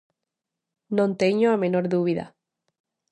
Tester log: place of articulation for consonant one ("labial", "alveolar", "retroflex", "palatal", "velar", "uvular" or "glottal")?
alveolar